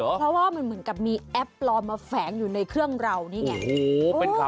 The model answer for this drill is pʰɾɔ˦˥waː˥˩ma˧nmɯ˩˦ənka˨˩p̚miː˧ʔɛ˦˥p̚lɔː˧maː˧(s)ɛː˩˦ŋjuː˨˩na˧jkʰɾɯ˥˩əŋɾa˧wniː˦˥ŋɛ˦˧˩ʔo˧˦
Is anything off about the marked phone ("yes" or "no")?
yes